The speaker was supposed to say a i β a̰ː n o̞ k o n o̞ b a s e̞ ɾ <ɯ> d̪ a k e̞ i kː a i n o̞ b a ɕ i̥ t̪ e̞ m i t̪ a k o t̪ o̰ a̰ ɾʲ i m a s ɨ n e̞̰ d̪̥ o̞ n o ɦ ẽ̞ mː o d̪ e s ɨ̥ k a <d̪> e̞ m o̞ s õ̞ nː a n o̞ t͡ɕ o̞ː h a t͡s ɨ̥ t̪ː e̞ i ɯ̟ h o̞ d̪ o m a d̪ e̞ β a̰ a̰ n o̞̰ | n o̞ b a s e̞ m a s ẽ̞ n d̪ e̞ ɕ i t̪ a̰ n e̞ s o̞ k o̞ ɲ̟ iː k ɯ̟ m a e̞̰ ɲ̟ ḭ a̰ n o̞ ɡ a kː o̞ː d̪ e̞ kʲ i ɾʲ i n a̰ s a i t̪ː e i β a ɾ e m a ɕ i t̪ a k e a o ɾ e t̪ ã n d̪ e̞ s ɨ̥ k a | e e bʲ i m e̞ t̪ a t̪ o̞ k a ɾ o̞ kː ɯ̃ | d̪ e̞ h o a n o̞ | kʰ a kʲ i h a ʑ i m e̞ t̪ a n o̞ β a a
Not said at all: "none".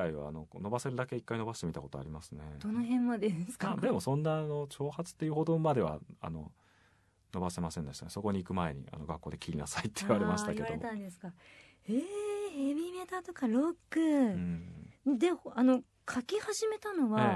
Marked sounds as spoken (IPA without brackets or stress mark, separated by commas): ɯ, d̪